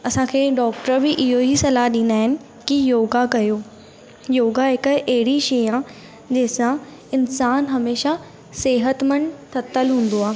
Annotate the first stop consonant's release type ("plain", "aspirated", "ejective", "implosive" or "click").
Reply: aspirated